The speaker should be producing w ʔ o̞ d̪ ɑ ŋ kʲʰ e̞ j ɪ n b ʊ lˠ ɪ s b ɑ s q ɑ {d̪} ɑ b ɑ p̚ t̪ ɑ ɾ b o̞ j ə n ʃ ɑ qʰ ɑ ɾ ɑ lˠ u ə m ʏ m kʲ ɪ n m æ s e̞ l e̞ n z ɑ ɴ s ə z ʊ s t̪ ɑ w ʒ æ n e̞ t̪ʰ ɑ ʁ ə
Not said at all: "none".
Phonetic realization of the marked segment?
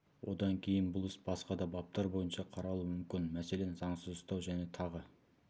d̪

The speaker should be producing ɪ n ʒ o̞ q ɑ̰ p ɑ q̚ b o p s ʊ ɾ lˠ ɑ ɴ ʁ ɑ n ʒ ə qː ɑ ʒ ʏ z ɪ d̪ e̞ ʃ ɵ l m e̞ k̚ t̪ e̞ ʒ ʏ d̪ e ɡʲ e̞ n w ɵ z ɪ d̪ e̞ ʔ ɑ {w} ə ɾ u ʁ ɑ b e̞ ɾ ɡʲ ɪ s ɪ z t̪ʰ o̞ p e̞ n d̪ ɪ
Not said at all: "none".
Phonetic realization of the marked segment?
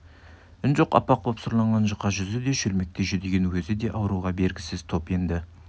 w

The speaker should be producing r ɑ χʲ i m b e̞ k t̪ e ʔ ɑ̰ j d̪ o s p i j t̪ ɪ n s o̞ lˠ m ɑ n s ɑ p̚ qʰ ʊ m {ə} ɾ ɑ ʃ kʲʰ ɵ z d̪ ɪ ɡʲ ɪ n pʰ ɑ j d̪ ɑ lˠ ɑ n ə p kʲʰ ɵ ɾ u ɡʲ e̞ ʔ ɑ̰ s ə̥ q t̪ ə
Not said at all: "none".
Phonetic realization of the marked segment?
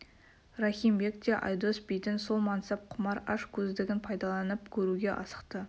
ɑ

